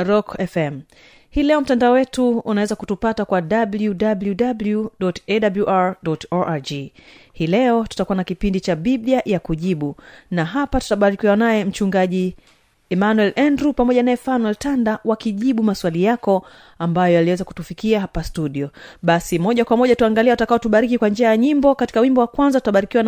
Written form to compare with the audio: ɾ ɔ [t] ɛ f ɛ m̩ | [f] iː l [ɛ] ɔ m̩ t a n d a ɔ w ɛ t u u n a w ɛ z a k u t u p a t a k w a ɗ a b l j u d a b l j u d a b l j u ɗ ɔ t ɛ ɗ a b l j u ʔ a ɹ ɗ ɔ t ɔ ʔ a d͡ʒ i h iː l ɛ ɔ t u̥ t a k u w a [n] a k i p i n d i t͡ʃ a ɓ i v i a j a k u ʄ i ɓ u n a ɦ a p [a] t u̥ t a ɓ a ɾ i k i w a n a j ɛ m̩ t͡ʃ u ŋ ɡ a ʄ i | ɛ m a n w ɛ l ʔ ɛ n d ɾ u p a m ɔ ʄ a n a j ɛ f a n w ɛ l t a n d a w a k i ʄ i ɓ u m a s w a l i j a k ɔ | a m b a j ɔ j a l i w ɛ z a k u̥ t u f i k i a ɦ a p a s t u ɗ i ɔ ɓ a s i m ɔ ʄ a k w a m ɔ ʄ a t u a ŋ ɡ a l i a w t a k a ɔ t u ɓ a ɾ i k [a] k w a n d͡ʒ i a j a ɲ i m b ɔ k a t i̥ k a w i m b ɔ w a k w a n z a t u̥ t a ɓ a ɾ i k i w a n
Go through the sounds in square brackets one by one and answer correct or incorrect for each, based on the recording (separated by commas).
incorrect, incorrect, correct, correct, correct, incorrect